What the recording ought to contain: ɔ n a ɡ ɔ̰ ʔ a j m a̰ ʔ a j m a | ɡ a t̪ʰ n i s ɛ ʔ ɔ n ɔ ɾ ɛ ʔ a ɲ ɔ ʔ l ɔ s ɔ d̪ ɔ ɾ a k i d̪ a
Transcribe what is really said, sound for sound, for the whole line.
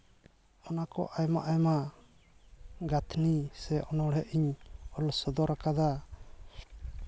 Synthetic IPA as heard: ɔ n a k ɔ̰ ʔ a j m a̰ ʔ a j m a | ɡ a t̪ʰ n i s ɛ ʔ ɔ n ɔ ɽ ɛ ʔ i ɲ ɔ l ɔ s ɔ d̪ ɔ ɾ a k a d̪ a